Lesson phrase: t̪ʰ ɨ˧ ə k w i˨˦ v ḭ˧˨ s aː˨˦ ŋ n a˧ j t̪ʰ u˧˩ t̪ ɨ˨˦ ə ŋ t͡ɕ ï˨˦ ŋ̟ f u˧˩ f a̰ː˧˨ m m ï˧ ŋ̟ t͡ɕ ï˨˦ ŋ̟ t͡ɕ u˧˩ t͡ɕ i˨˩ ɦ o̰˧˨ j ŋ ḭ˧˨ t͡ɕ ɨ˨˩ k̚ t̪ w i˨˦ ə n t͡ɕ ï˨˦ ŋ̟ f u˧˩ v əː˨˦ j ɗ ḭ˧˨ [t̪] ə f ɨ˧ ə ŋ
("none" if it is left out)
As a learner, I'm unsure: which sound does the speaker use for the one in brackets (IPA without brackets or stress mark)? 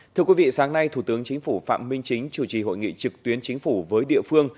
none